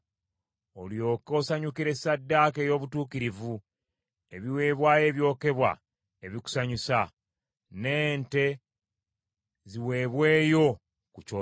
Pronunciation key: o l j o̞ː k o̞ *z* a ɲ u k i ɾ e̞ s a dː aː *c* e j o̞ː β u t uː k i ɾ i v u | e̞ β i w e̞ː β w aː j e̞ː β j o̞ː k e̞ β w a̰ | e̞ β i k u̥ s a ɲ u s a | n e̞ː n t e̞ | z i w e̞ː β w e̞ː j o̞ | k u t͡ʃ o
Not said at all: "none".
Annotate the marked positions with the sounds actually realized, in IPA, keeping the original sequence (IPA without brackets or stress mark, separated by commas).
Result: s, k